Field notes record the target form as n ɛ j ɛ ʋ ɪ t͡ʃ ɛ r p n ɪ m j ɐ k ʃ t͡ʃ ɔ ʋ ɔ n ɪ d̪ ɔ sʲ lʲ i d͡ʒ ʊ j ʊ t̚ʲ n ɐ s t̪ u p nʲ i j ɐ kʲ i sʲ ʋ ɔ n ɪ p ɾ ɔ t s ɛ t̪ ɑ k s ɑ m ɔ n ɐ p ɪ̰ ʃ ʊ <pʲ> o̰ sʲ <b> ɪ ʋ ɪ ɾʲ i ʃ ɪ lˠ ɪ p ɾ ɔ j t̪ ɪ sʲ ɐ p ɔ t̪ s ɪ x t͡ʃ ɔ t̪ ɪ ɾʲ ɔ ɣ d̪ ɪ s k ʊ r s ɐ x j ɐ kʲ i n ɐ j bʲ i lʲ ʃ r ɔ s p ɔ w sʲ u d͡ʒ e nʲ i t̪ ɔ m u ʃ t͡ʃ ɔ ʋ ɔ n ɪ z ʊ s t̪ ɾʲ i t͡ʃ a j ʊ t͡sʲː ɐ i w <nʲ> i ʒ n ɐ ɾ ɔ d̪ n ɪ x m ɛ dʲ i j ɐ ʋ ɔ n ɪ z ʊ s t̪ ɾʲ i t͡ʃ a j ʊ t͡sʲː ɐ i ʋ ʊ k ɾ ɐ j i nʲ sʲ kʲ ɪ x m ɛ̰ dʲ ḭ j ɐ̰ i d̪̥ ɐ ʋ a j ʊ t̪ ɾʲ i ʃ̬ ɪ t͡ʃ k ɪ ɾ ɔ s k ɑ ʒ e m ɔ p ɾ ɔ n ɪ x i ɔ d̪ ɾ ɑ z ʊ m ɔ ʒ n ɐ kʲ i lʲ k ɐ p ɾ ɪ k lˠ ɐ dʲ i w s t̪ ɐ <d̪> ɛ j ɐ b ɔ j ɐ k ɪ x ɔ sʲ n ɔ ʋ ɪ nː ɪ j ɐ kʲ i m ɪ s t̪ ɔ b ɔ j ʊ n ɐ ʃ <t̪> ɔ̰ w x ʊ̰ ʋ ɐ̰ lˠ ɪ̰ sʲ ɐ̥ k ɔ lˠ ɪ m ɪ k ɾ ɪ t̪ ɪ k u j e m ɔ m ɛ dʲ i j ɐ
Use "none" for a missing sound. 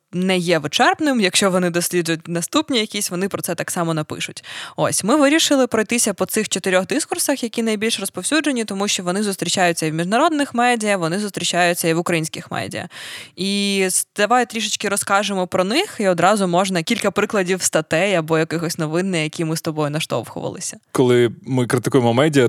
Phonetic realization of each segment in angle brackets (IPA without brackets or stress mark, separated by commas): tʲ, m, mʲ, t̪, t̪